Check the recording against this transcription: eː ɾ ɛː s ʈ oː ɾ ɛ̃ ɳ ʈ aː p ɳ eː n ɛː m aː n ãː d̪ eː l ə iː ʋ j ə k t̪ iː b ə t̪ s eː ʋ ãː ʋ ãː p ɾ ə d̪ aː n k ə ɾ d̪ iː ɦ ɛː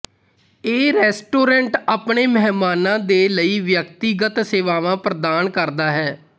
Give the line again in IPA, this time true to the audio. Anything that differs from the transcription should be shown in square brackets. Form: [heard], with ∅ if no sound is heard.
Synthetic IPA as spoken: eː ɾ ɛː s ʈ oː ɾ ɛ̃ ɳ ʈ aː p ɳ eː [m] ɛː m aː n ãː d̪ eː l ə iː ʋ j ə k t̪ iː [ɡ] ə t̪ s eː ʋ [aː] ʋ ãː p ɾ ə d̪ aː n k ə ɾ d̪ [aː] ɦ ɛː